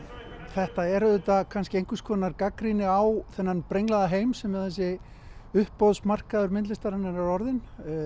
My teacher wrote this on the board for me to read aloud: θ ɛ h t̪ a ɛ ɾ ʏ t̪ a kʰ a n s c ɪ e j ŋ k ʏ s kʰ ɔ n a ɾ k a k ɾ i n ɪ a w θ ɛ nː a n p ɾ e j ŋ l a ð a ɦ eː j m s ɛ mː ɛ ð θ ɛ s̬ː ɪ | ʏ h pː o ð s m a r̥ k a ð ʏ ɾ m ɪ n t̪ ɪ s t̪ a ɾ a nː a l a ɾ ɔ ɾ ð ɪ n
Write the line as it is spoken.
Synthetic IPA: θ ɛ h t̪ a ɛ ɾ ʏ t̪ a kʰ a n s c ɪ e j ŋ k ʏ s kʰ ɔ n a ɾ k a k ɾ i n ɪ a w θ ɛ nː a n p ɾ e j ŋ l a ð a ɦ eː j m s ɛ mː ɛ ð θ ɛ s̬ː ɪ | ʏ h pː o ð s m a r̥ k a ð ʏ ɾ m ɪ n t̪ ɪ s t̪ a ɾ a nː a ɾ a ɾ ɔ ɾ ð ɪ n